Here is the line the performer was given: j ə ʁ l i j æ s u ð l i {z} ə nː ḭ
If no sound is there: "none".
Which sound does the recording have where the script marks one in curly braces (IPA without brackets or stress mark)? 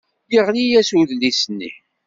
s